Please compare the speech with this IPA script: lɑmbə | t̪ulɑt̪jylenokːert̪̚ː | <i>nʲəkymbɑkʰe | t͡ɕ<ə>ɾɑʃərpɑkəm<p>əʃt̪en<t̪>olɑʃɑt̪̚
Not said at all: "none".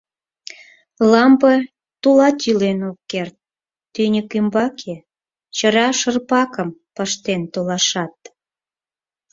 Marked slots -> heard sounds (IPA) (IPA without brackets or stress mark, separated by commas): y, ə, p, t̪